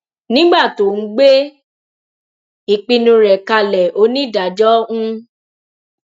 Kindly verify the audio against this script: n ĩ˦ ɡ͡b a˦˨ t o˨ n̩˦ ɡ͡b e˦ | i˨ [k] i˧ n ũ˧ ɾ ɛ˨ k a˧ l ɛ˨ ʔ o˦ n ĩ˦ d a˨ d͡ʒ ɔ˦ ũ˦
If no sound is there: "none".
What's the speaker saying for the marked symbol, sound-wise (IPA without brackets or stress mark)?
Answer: k͡p